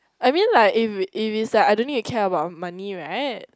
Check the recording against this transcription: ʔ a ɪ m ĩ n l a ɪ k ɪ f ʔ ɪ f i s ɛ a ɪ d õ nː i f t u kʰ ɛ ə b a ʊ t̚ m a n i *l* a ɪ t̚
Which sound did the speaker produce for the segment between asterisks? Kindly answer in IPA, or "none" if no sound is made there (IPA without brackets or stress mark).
ɹ